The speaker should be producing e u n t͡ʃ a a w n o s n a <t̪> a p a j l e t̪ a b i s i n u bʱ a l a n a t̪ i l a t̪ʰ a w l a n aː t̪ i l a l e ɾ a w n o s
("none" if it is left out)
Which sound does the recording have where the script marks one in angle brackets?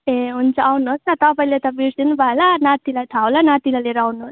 t̪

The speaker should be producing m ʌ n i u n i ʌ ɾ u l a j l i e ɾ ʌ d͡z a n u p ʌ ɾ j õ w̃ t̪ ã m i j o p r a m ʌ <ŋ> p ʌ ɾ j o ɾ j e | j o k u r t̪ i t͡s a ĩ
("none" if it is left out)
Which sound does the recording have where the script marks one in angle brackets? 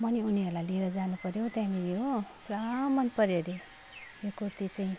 n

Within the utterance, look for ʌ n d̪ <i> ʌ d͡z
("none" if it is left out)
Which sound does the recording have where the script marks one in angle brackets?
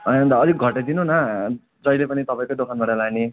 a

